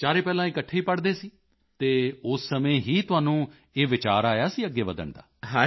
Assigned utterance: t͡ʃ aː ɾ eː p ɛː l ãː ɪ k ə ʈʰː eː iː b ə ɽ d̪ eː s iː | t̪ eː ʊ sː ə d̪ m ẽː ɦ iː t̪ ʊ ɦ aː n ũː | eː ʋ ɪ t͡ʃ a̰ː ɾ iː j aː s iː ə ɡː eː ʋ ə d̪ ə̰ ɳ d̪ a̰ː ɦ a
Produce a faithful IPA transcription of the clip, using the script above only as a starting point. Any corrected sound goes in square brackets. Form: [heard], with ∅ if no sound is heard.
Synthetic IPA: t͡ʃ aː ɾ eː p ɛː l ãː ɪ k ə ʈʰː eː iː [p] ə ɽ d̪ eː s iː | t̪ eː ʊ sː ə [∅] m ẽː ɦ iː t̪ ʊ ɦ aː n ũː | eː ʋ ɪ t͡ʃ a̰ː ɾ [aː] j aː s iː ə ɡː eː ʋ ə d̪ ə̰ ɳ d̪ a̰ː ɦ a